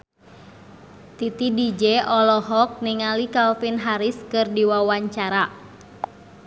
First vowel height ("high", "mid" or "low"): high